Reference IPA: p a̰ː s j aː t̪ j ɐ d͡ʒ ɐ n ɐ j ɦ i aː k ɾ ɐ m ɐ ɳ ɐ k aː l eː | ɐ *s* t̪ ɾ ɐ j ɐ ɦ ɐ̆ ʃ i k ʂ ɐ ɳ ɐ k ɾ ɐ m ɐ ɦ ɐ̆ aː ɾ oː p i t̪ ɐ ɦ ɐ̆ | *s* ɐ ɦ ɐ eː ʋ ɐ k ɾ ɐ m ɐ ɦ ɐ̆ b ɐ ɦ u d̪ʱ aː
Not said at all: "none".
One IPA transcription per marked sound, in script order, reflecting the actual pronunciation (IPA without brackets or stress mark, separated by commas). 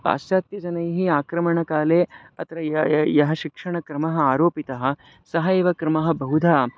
none, s